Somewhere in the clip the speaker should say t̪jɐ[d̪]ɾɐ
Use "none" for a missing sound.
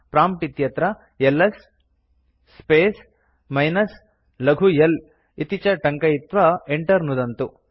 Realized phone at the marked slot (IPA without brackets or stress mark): t̪